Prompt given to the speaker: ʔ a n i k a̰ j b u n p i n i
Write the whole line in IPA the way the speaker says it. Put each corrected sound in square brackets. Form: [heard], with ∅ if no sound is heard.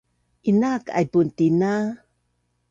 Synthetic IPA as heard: ʔ [i] n [a] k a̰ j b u n [t] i n [a]